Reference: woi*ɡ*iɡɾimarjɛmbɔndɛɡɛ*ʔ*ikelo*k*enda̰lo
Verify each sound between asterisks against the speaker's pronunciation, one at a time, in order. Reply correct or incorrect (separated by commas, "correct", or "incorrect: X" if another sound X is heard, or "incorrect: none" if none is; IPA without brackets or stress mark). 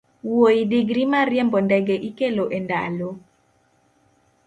incorrect: d, correct, incorrect: ʔ